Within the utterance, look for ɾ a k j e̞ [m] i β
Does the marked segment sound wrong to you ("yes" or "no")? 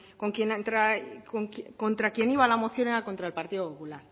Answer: yes